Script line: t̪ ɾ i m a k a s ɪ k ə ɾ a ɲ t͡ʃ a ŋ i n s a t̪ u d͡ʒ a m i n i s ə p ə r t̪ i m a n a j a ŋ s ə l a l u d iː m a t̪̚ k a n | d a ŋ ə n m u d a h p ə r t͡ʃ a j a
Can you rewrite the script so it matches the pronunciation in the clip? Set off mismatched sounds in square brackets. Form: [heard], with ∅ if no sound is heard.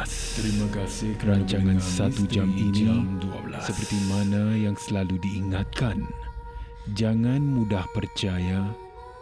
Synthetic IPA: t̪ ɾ i m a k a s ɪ k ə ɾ a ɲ t͡ʃ a ŋ [a] n s a t̪ u d͡ʒ a m i n i s ə p ə r t̪ i m a n a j a ŋ s ə l a l u d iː [ŋ] a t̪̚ k a n | [d͡ʒ] a ŋ [a] n m u d a h p ə r t͡ʃ a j a